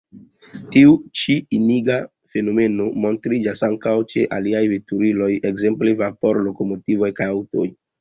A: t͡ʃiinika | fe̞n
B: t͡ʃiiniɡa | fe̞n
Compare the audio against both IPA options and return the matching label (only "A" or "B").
B